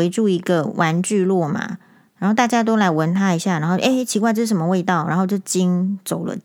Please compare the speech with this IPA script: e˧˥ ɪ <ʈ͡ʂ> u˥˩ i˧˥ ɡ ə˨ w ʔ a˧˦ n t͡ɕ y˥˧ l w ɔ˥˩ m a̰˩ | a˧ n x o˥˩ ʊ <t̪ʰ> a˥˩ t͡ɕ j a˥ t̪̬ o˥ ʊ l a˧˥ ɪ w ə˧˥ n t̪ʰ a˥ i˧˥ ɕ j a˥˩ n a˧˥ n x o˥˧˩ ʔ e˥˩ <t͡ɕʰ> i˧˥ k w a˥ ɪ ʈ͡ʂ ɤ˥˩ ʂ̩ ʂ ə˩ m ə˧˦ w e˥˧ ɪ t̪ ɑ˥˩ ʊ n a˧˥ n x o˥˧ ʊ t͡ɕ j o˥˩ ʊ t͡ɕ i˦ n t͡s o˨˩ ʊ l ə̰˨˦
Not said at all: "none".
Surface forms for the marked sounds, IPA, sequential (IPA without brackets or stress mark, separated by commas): ʈ͡ʂ, t̪, t͡ɕʰ